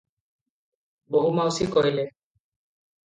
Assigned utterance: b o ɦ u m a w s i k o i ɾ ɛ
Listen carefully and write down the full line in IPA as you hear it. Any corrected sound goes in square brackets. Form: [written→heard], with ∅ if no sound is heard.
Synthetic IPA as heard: b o ɦ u m a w s i k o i [ɾ→l] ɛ